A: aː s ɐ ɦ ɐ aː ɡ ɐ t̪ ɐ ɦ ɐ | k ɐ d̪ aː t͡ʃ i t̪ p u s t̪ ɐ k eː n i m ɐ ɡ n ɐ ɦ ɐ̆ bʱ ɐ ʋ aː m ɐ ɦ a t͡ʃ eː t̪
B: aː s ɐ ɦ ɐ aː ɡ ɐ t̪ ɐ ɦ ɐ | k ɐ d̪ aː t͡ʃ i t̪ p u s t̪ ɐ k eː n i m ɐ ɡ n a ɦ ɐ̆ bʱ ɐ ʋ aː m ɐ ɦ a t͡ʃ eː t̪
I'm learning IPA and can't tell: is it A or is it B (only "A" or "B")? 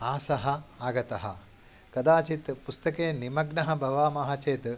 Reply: A